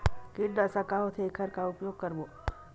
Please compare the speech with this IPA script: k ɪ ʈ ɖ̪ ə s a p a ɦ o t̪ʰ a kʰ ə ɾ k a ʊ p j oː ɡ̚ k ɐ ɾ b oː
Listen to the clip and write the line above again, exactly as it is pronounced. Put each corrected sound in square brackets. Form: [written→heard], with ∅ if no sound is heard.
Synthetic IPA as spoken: k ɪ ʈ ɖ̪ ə s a [p→k] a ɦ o t̪ʰ [a→e] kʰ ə ɾ k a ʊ p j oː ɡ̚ k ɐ ɾ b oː